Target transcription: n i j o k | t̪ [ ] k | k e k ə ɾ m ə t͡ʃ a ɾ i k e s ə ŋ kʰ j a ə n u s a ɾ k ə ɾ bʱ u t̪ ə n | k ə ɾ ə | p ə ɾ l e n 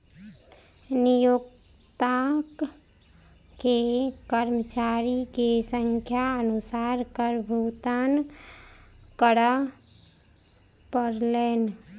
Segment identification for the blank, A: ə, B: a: B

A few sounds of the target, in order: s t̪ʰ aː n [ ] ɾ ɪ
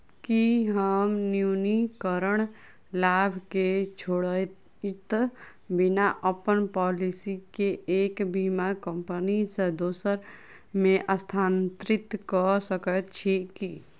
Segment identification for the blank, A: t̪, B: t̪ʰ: A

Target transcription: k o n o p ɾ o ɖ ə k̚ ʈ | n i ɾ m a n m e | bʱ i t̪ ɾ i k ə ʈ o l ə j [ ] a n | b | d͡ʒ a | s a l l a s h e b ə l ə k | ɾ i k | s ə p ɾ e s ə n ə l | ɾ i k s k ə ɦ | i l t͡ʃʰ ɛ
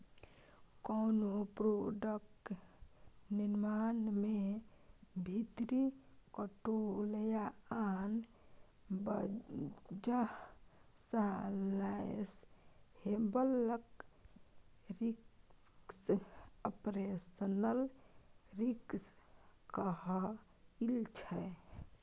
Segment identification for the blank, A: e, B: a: B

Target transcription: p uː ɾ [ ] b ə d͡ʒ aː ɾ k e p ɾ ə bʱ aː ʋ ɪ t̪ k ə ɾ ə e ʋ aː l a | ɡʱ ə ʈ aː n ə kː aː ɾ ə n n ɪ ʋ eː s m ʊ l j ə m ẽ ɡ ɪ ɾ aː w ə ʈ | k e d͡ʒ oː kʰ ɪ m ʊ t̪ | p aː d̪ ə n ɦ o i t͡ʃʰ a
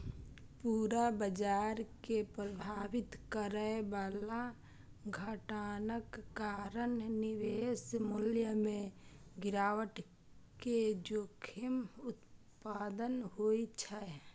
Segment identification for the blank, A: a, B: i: A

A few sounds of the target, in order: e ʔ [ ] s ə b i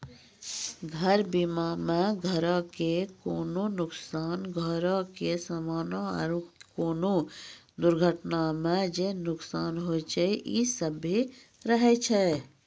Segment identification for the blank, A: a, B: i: B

